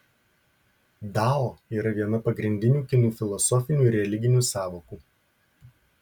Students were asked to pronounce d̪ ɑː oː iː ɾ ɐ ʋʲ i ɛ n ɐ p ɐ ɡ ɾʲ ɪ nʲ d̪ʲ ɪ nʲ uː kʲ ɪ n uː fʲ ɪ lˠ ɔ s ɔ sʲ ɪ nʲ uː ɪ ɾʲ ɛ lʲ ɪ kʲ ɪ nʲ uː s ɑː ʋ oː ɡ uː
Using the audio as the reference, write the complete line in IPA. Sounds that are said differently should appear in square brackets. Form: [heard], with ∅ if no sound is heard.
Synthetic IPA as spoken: d̪ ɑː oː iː ɾ ɐ ʋʲ i ɛ n ɐ p ɐ ɡ ɾʲ ɪ nʲ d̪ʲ ɪ nʲ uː kʲ ɪ n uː fʲ ɪ lˠ ɔ s ɔ [fʲ] ɪ nʲ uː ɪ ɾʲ ɛ lʲ ɪ [ɡʲ] ɪ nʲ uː s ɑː ʋ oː [k] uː